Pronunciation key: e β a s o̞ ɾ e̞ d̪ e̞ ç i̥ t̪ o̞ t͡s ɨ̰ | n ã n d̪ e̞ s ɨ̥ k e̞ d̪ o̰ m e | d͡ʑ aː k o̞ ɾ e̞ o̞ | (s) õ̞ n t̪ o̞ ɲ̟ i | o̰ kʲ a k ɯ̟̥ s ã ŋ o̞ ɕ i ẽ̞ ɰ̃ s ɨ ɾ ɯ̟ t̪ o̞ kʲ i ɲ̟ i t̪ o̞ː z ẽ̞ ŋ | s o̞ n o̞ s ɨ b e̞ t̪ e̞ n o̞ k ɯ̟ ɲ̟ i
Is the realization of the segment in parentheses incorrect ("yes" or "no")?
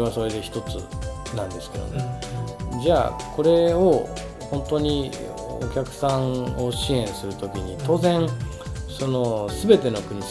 yes